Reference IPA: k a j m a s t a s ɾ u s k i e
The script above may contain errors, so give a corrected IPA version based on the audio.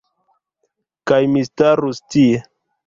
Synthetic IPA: k a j m i s t a ɾ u s t i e